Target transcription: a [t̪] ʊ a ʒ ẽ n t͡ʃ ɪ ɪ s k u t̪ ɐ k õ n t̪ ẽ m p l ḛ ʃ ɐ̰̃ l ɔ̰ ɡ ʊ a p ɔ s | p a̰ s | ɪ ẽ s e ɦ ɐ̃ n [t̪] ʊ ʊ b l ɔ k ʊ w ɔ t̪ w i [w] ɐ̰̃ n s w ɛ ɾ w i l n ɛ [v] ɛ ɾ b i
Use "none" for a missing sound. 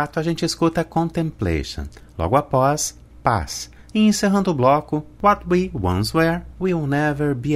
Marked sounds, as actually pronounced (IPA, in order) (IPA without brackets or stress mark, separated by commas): t̪, d̪, w, v